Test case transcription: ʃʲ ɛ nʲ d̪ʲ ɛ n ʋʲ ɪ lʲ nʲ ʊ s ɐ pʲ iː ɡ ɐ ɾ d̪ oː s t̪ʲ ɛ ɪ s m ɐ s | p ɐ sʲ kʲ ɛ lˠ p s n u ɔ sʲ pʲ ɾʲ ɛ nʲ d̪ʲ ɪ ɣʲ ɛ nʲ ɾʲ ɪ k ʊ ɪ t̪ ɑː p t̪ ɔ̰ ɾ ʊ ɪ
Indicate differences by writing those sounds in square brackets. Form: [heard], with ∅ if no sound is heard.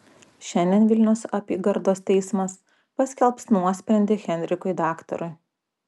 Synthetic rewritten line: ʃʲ ɛ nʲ d̪ʲ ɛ n ʋʲ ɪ lʲ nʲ ʊ s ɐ pʲ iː ɡ ɐ ɾ d̪ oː s t̪ʲ ɛ ɪ s m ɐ s | p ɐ sʲ kʲ ɛ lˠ p s n u ɔ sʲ pʲ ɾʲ ɛ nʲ d̪ʲ ɪ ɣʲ ɛ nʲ ɾʲ ɪ k ʊ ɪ [d̪] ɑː [k] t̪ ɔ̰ ɾ ʊ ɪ